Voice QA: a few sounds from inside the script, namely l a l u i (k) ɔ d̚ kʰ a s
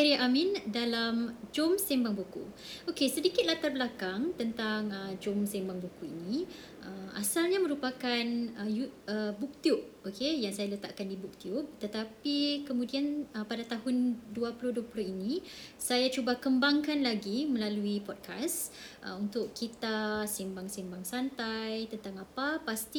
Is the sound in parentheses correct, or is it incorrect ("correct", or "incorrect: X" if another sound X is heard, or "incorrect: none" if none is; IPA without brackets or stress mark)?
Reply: incorrect: p